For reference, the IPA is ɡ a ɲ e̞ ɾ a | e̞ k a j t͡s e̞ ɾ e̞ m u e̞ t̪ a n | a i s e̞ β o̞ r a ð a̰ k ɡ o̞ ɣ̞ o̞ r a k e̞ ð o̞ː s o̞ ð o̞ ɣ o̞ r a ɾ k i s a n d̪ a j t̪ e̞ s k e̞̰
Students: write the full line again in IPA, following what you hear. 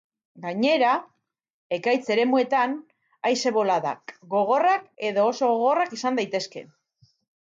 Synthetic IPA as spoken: ɡ a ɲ e̞ ɾ a | e̞ k a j t͡s e̞ ɾ e̞ m u e̞ t̪ a n | a j s e̞ β o̞ l a ð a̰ k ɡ o̞ ɣ̞ o̞ r a k e̞ ð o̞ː s o̞ ɣ o̞ ɣ o̞ r a k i s a n d̪ a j t̪ e̞ s k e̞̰